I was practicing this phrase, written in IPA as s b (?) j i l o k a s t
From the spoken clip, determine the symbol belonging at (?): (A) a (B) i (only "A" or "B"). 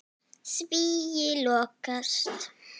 B